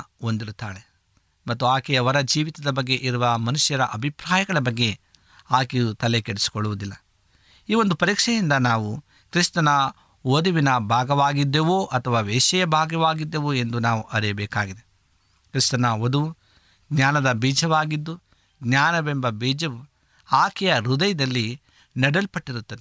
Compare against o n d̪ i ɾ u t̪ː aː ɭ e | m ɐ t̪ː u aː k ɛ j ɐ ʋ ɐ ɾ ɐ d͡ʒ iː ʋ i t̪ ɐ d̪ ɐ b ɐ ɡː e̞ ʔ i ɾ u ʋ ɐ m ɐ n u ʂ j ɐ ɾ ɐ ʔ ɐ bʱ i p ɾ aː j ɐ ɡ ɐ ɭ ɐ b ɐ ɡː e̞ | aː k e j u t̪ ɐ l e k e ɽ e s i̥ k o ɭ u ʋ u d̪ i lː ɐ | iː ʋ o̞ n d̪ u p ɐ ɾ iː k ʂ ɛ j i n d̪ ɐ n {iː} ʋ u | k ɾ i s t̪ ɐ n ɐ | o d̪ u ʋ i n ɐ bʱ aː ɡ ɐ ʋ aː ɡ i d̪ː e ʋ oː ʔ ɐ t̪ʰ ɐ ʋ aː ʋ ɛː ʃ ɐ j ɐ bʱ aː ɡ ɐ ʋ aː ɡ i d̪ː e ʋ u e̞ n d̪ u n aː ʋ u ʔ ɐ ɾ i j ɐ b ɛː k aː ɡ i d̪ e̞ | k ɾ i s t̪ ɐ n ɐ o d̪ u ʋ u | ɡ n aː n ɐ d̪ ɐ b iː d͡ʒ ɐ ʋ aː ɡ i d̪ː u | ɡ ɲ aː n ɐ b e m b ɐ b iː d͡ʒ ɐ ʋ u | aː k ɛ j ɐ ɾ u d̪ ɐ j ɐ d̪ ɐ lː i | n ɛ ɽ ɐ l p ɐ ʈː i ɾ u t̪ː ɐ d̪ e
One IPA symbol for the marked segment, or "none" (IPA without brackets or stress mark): aː